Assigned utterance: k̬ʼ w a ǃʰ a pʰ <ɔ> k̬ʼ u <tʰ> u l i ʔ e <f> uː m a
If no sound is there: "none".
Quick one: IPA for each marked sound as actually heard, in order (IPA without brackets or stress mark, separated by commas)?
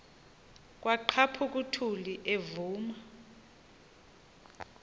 u, tʰ, v